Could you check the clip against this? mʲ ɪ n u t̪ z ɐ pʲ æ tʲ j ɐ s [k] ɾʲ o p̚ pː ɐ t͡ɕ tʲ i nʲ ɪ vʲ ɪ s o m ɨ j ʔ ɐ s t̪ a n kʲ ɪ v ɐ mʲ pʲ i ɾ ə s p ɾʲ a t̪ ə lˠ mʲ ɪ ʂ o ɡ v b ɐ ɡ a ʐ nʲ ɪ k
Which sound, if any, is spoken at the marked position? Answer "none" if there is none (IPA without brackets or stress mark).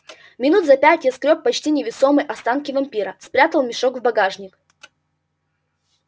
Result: k